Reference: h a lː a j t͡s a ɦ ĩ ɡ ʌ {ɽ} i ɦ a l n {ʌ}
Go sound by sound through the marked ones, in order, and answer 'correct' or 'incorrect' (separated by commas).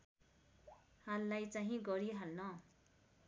incorrect, correct